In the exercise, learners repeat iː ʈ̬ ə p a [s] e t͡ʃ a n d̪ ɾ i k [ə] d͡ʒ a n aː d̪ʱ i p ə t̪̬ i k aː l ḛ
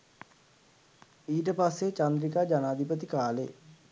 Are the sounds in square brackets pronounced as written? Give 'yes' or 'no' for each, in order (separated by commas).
no, no